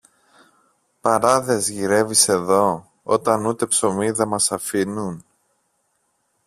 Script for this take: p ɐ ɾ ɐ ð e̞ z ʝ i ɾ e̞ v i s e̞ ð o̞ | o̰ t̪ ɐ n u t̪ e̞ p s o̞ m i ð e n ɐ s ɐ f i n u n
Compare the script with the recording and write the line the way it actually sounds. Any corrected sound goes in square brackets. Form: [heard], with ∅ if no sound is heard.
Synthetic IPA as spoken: p ɐ ɾ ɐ ð e̞ z ʝ i ɾ e̞ v i s e̞ ð o̞ | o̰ t̪ ɐ n u t̪ e̞ p s o̞ m i ð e [m] ɐ s ɐ f i n u n